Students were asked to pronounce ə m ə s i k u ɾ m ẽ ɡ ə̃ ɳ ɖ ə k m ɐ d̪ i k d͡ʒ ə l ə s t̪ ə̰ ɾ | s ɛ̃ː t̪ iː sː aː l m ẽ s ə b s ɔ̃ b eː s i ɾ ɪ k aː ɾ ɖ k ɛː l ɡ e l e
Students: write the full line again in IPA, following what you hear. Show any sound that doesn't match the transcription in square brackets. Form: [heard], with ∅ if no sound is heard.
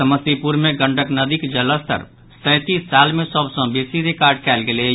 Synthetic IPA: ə m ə s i [p] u ɾ m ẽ ɡ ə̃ ɳ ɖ ə k [n] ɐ d̪ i k d͡ʒ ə l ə s t̪ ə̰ ɾ | s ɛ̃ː t̪ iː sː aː l m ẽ s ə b s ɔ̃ b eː s i ɾ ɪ k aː ɾ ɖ k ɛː l ɡ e l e